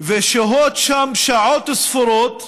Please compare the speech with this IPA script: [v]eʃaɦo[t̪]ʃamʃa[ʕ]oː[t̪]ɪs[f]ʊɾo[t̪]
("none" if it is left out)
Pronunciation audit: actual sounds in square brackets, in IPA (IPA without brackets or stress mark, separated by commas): v, t̪, ʕ, t̪, f, t̪